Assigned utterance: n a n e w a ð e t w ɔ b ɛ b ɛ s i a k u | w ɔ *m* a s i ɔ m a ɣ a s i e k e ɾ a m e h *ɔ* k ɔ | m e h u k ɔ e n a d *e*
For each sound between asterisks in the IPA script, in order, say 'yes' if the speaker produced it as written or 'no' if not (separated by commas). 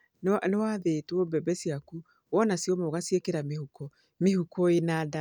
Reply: no, no, no